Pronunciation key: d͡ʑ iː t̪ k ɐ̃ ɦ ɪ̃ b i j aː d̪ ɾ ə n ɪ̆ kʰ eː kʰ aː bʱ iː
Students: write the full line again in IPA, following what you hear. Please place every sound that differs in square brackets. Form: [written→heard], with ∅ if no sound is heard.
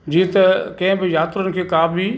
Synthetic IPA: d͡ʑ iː t̪ k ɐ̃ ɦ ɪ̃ b [i→ɪ] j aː [d̪→t̪] ɾ ə n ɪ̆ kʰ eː [kʰ→k] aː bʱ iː